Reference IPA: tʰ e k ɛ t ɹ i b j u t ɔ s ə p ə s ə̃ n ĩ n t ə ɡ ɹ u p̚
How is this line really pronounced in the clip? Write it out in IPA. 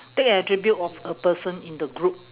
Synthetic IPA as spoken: t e k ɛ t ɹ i b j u t ɔ f ə p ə s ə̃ n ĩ n d ə ɡ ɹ u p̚